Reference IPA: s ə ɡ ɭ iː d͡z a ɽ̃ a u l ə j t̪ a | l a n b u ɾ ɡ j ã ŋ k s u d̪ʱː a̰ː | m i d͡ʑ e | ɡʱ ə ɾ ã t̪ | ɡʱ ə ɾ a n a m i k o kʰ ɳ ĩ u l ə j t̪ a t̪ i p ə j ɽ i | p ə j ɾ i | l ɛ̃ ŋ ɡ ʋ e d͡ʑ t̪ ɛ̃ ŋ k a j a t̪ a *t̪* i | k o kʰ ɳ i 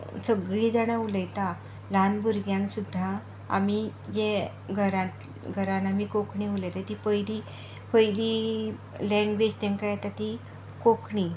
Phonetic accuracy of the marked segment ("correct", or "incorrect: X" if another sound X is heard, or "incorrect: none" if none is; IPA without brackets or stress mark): correct